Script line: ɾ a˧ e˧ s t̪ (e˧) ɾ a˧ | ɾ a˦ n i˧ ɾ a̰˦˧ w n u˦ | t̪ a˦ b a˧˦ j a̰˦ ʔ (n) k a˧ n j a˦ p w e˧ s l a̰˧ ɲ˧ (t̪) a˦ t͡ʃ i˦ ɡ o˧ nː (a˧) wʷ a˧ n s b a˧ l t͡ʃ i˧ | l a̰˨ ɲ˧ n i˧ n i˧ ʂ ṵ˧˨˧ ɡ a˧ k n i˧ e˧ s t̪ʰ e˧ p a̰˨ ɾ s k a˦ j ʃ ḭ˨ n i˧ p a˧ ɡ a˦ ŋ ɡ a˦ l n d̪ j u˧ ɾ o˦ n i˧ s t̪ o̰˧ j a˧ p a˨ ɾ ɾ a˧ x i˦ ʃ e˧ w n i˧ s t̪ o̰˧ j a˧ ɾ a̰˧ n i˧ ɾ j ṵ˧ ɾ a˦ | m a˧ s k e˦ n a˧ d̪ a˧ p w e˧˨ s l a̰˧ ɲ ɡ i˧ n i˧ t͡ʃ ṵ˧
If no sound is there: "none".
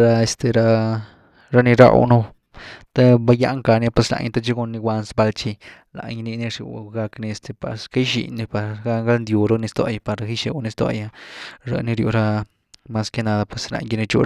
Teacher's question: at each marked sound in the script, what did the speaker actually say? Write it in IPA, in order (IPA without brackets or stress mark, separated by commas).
e˧, ŋ, t̪, i˧